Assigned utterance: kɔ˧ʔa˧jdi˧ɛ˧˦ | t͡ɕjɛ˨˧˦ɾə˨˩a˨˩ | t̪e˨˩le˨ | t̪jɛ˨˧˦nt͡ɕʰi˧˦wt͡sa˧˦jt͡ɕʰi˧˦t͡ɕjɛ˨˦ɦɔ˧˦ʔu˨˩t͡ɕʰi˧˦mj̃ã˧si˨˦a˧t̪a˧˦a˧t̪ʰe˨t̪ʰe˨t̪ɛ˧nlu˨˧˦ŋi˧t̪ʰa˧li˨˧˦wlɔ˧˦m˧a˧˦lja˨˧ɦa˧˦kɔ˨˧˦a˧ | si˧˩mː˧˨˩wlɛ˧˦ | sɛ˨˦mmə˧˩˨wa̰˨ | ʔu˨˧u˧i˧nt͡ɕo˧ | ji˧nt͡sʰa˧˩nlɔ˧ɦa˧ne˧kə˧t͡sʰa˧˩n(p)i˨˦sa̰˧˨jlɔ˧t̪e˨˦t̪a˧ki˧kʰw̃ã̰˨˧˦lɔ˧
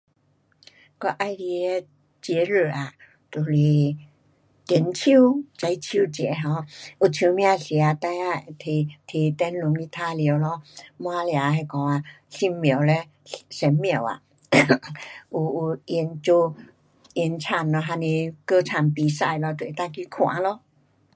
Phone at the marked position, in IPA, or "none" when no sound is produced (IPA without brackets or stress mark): p